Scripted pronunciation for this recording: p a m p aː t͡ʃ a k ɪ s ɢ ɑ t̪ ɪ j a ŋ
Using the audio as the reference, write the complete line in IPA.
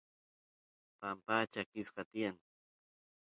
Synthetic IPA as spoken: p a m p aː t͡ʃ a k ɪ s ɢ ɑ t̪ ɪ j a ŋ